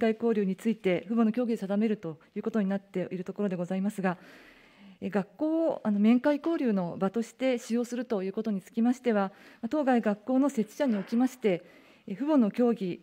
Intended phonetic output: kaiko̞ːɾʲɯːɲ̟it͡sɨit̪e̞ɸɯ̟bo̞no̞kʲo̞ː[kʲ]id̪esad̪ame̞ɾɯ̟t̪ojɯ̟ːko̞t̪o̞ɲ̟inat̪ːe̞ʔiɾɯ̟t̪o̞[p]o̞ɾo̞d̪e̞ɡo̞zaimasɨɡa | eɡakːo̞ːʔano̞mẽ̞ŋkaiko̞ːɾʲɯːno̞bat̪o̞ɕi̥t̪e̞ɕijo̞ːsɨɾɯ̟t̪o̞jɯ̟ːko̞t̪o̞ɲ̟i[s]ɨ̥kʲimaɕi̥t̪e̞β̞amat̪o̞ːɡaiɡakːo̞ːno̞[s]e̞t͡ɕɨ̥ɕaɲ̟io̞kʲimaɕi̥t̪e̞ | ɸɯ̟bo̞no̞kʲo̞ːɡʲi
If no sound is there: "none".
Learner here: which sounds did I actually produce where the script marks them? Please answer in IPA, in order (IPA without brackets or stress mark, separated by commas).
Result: ɡʲ, k, t͡s, s